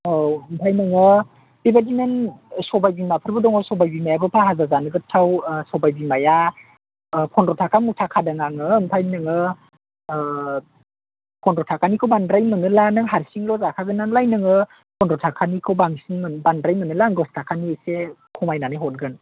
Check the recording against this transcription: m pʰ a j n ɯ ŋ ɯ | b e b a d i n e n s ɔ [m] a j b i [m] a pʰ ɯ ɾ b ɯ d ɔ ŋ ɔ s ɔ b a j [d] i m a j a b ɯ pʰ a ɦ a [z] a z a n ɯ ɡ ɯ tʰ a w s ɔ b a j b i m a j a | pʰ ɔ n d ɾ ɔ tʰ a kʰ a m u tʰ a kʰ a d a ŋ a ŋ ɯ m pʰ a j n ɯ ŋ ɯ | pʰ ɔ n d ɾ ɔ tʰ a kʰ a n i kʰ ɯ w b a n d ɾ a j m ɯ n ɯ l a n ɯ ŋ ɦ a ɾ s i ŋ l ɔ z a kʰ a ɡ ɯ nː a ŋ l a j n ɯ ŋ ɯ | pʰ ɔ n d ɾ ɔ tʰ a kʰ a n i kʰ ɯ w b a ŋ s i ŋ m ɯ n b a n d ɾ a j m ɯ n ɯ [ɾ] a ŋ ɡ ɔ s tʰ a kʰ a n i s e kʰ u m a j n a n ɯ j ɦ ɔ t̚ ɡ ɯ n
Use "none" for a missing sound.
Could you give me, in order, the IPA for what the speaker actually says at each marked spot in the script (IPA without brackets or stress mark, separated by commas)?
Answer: b, m, b, z, l